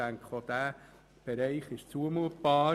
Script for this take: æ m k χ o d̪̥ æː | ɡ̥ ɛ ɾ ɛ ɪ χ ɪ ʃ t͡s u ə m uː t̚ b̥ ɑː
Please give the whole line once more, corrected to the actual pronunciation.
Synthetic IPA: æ ŋ k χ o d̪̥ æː | b̥ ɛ ɾ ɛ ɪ χ ɪ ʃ t͡s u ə m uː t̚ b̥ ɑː